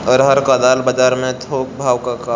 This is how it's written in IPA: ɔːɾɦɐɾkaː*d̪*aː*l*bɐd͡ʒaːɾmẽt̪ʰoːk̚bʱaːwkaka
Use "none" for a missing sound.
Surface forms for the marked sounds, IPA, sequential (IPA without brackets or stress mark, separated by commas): d̪, l